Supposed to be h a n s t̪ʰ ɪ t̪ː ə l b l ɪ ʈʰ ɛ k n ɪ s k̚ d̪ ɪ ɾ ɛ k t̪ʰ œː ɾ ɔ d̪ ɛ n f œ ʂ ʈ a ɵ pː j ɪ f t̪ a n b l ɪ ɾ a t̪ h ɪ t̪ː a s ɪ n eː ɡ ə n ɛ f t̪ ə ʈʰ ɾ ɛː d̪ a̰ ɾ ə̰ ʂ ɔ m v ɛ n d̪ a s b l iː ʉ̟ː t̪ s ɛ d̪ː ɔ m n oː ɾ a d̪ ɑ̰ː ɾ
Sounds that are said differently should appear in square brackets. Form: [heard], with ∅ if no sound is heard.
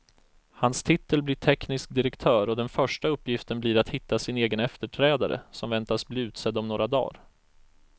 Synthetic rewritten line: h a n s t̪ʰ ɪ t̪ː ə l b l ɪ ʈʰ ɛ k n ɪ s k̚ d̪ ɪ ɾ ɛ k t̪ʰ œː ɾ ɔ d̪ ɛ n f œ ʂ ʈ a ɵ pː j ɪ f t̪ [ə] n b l ɪ ɾ a t̪ h ɪ t̪ː a s ɪ n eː ɡ ə n ɛ f t̪ ə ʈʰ ɾ ɛː d̪ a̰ ɾ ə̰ [s] ɔ m v ɛ n [t̪] a s b l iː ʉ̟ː t̪ s ɛ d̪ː ɔ m n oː ɾ a d̪ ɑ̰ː ɾ